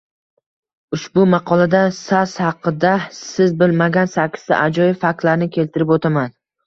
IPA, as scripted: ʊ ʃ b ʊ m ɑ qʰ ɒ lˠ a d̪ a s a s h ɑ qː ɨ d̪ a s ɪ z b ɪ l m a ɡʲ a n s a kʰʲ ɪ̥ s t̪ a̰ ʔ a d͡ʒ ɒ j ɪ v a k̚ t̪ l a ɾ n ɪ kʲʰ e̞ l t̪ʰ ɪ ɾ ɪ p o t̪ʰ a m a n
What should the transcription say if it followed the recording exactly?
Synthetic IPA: ʊ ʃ b ʊ m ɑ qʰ ɒ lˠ a d̪ a s a s h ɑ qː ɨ d̪ a s ɪ z b ɪ l m a ɡʲ a n s a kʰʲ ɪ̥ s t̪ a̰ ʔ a d͡ʒ ɒ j ɪ f a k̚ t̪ l a ɾ n ɪ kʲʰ e̞ l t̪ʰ ɪ ɾ ɪ p o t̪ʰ a m a n